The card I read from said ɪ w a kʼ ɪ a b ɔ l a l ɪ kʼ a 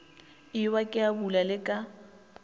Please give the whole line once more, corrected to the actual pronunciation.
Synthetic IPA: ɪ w a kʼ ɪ a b u l a l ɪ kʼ a